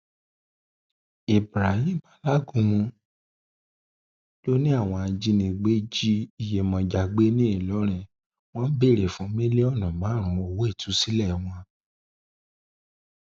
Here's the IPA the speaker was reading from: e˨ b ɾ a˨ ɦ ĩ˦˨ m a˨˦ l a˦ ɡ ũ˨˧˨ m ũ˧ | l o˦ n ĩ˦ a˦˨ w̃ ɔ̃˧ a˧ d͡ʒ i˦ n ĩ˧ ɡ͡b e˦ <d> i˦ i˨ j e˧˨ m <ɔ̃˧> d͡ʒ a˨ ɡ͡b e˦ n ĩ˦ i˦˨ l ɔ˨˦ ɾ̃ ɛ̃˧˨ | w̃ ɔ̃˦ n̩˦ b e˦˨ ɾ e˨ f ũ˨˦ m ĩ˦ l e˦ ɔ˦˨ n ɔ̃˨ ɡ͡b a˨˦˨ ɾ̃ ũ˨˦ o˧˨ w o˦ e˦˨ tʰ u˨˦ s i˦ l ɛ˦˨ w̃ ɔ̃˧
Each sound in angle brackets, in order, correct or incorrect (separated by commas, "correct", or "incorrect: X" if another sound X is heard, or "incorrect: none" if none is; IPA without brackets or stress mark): incorrect: d͡ʒ, correct